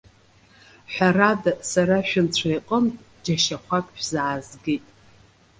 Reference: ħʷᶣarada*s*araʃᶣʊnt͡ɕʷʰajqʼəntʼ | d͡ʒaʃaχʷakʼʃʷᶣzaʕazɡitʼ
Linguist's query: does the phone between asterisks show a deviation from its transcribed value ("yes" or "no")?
no